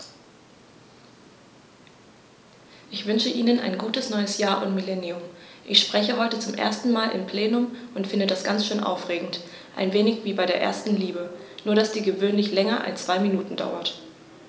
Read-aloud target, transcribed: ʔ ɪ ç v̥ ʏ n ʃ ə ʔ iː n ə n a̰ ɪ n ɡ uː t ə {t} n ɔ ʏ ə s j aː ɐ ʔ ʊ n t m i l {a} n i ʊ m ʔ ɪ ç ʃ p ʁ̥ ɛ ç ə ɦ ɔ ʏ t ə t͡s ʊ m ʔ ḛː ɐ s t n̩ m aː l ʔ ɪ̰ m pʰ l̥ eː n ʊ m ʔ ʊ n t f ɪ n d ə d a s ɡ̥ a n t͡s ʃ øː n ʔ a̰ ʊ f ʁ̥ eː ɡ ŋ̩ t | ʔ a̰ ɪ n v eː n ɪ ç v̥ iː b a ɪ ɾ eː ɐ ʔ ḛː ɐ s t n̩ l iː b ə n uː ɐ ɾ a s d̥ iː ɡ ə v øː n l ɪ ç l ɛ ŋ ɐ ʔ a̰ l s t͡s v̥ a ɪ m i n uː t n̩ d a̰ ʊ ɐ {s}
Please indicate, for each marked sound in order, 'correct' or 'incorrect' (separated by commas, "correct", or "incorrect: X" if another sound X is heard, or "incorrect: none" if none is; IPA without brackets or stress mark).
incorrect: s, incorrect: ɛ, incorrect: t